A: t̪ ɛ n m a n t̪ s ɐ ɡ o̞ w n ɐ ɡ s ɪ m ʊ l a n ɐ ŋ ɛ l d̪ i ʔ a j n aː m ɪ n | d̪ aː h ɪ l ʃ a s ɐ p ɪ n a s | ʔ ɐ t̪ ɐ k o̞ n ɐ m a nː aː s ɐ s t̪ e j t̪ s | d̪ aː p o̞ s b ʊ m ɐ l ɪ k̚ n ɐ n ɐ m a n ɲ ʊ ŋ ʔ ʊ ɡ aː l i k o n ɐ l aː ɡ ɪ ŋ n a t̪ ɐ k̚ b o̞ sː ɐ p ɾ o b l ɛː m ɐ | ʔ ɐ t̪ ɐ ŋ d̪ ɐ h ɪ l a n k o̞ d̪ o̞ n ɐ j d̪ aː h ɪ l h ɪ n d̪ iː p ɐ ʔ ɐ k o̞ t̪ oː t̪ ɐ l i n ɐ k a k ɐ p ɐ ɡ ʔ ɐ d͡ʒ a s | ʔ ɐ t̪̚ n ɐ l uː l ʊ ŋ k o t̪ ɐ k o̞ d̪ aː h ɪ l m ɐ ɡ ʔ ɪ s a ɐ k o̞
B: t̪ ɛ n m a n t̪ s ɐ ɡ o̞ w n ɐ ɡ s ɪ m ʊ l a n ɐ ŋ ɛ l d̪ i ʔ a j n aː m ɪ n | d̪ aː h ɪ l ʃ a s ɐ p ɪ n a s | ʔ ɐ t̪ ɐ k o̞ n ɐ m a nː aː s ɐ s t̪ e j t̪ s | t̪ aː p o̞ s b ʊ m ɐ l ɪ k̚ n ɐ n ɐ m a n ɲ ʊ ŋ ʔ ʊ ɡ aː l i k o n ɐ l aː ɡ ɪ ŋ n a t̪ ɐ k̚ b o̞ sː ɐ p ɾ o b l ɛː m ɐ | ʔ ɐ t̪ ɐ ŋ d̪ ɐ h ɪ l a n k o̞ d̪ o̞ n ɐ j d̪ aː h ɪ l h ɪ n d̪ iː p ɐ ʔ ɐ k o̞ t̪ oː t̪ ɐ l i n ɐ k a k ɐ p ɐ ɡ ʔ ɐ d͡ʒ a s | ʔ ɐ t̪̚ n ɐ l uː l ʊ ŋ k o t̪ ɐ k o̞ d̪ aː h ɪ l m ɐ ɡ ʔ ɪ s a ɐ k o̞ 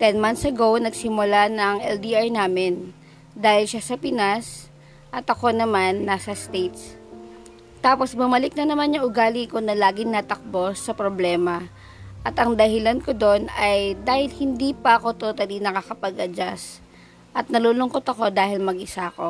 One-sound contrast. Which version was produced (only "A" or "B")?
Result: B